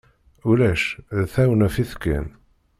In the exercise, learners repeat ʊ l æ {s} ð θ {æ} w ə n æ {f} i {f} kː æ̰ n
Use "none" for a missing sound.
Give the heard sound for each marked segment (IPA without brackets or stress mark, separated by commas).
ʃ, æ, f, θ